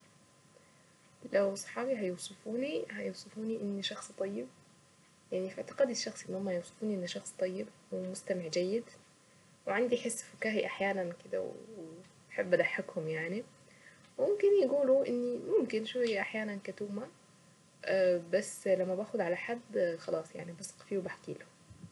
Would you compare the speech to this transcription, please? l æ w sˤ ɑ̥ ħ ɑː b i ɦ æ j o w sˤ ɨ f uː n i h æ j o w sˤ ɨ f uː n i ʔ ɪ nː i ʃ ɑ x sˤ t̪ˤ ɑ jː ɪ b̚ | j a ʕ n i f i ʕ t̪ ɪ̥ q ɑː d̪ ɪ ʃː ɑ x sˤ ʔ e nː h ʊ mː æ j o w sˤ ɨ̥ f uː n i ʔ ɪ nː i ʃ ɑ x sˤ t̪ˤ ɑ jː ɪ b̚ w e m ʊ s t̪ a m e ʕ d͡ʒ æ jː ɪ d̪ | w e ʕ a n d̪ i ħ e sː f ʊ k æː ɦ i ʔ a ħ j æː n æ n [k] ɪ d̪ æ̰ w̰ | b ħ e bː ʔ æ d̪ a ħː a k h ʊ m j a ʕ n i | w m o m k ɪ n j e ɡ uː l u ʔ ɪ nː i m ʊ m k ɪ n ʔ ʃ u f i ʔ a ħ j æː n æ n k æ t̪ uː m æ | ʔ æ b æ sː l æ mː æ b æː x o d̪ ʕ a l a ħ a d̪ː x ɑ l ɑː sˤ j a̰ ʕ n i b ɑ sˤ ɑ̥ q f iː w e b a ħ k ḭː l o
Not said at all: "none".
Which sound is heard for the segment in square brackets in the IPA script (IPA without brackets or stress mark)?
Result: k